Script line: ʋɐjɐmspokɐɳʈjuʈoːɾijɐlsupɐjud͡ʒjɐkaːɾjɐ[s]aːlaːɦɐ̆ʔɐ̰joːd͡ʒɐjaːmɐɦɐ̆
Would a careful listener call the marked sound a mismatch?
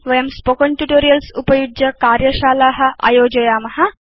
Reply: yes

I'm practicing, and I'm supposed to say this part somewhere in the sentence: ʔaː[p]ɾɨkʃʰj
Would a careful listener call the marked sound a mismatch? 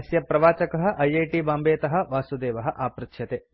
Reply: no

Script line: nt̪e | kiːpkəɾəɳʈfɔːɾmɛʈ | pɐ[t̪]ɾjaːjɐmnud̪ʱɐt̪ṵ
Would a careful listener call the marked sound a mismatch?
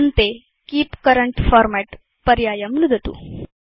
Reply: yes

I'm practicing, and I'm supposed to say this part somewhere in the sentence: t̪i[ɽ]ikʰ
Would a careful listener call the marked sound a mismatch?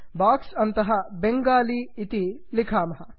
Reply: yes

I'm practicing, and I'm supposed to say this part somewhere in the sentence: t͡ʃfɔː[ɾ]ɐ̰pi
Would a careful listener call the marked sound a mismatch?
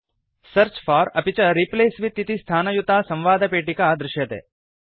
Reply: no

